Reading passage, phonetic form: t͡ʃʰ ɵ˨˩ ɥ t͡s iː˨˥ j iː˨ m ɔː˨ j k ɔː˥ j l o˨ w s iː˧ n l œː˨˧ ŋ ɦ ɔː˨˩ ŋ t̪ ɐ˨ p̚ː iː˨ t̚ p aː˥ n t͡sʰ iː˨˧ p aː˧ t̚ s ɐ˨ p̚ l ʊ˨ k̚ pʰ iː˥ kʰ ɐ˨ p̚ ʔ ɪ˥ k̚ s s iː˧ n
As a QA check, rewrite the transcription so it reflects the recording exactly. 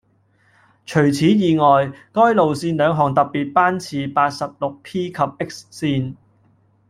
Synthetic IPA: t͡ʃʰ ɵ˨˩ ɥ t͡sʰ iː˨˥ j iː˨ ŋ ɔː˨ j k ɔː˥ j l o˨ w s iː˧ n l œː˨˧ ŋ ɦ ɔː˨˩ ŋ t̪ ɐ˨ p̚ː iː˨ t̚ p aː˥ n t͡sʰ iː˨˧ p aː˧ t̚ s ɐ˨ p̚ l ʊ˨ k̚ pʰ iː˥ kʰ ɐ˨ p̚ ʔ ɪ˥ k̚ s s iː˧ n